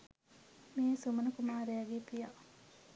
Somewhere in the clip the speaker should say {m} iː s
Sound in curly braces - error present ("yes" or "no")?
no